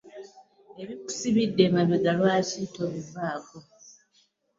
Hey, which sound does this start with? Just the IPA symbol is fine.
e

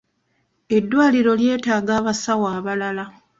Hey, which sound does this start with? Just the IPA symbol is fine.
e̞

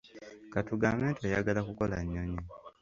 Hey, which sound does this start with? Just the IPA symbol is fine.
k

